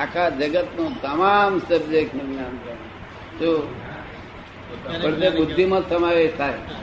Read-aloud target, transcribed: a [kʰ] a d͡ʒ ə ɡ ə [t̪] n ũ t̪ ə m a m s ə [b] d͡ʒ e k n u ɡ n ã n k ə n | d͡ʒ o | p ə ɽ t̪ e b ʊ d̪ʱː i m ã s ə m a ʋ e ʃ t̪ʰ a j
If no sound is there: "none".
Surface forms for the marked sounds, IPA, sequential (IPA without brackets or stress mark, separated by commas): kʰ, t̪, b